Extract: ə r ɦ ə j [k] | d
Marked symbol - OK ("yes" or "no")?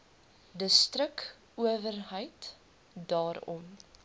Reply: no